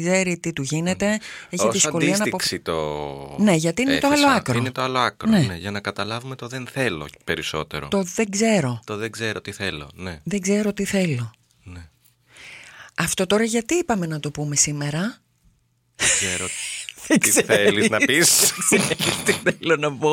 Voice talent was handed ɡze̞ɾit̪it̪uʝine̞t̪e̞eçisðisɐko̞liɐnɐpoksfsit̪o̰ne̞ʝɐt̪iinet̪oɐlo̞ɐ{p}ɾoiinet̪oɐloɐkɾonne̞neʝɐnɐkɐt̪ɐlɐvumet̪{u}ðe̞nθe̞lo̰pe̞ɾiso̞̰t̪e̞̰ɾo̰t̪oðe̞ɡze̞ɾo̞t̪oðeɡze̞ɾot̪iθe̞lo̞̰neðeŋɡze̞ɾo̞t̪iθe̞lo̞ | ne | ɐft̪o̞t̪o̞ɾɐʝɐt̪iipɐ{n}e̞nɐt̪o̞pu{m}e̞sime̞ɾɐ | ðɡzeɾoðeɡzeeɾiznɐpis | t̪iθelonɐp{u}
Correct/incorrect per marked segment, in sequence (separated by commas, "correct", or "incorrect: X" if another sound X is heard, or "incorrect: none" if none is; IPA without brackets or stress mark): incorrect: k, incorrect: o, incorrect: m, correct, incorrect: o